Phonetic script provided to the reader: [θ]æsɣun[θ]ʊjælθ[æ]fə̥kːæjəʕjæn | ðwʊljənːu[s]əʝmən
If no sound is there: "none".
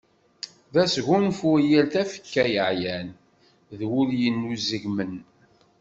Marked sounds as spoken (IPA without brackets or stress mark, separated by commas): ð, f, æ, z